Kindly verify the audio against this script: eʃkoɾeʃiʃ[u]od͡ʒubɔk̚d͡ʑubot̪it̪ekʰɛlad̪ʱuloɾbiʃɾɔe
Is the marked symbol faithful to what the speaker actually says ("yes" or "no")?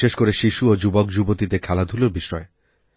yes